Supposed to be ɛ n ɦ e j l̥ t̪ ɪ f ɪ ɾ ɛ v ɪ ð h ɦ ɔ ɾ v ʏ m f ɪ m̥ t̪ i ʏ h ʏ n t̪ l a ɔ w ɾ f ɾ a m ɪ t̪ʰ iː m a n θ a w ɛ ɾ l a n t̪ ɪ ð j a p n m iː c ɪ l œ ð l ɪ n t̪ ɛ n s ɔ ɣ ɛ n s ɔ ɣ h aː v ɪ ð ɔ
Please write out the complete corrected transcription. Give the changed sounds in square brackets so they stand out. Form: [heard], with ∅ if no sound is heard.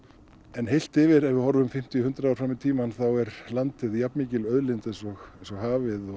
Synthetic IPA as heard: ɛ n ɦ e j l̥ t̪ ɪ [v] ɪ ɾ ɛ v ɪ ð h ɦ ɔ ɾ v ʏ m f ɪ m̥ t̪ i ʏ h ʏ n t̪ [ɾ] a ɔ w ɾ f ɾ a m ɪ t̪ʰ iː m a n θ a w ɛ ɾ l a n t̪ ɪ ð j a p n m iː c ɪ l œ ð l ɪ n t̪ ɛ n s ɔ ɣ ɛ n s ɔ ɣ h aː v ɪ ð ɔ